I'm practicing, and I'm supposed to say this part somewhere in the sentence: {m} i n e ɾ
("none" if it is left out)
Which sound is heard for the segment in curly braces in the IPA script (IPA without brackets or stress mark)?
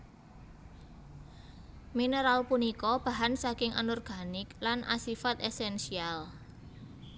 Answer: m